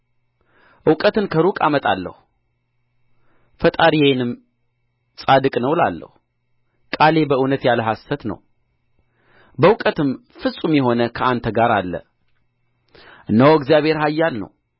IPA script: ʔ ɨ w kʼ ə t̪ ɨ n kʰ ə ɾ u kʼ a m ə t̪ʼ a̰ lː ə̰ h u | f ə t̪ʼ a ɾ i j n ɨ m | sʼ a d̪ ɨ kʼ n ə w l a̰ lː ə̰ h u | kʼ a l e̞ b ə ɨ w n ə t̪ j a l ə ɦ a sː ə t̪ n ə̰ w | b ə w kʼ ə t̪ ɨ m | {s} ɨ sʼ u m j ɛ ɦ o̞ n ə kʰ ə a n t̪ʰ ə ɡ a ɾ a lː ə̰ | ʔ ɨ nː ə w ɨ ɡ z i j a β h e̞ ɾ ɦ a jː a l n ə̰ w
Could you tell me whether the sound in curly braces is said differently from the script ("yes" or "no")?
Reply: yes